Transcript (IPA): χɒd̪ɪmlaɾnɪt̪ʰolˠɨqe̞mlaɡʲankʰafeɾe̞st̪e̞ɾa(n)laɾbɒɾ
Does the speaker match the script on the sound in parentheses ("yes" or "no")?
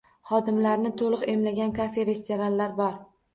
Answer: yes